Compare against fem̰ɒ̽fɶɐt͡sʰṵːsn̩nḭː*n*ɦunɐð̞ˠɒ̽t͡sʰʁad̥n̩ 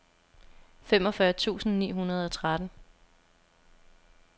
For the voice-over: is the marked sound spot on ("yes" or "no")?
no